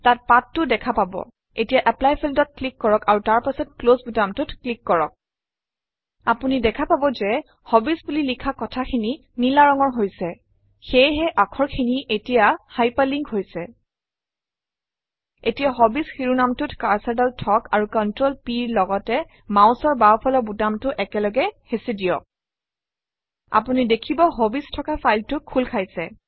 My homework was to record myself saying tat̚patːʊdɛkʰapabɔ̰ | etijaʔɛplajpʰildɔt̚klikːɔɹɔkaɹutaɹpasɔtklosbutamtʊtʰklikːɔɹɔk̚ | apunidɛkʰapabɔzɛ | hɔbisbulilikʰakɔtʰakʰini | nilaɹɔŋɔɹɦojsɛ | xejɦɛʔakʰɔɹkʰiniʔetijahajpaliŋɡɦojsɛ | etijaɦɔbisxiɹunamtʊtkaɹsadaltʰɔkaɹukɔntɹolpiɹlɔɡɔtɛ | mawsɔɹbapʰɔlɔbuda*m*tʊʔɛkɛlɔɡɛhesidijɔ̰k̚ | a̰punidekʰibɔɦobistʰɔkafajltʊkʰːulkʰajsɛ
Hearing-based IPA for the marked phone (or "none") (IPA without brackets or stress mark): m